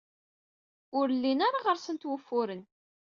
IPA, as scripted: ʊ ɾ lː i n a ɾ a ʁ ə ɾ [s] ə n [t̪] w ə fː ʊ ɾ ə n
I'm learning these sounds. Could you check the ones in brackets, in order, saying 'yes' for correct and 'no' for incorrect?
yes, yes

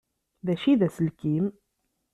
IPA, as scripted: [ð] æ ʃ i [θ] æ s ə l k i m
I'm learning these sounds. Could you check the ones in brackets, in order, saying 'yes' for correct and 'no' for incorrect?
yes, no

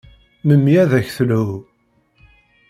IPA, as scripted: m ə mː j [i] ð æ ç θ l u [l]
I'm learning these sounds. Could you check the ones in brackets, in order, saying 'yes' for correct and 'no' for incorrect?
no, no

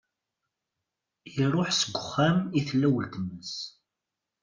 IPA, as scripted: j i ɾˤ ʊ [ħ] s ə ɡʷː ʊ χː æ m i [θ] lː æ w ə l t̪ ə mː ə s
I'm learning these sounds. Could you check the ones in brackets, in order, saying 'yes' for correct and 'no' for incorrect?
yes, yes

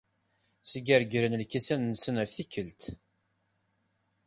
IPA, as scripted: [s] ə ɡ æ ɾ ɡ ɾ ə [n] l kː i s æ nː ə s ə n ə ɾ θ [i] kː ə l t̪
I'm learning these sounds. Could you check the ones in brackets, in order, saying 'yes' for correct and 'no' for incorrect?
yes, yes, yes

